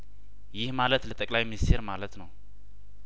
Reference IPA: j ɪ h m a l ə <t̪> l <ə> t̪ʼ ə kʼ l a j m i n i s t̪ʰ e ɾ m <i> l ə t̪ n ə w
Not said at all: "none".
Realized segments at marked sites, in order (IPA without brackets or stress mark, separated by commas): t̪, ə, a